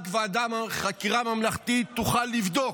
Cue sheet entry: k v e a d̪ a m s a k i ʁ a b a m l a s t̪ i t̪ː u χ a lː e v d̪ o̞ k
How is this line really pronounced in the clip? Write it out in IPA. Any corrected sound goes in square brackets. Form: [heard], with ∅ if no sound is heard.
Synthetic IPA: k v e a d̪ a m [χ] a k i ʁ a [m] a m l a [χ] t̪ i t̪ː u χ a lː [i] v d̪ o̞ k